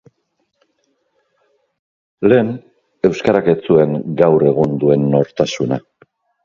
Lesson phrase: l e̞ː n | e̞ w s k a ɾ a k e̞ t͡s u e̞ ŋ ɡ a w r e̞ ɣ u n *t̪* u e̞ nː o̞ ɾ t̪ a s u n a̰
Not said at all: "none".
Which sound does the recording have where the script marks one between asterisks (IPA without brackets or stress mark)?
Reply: d̪